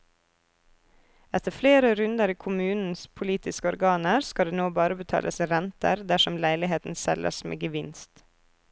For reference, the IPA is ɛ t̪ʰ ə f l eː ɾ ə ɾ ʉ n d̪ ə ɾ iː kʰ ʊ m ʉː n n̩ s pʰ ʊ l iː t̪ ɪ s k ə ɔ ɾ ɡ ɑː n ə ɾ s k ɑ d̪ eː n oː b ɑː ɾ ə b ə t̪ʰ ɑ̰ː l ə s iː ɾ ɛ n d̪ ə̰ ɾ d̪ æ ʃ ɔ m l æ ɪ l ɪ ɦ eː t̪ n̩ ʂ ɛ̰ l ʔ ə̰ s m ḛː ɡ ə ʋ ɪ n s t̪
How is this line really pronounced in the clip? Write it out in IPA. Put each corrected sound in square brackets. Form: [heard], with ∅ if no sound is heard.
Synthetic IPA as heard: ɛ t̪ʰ ə f l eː ɾ ə ɾ ʉ n d̪ ə ɾ iː kʰ ʊ m ʉː n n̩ s pʰ ʊ l iː t̪ ɪ s k ə ɔ ɾ ɡ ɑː n ə ɾ s k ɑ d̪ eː n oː b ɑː ɾ ə b ə t̪ʰ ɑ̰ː l ə s iː ɾ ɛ n [t̪] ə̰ ɾ d̪ æ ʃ ɔ m l æ ɪ l ɪ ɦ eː t̪ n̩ [s] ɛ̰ l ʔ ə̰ s m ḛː ɡ ə ʋ ɪ n s t̪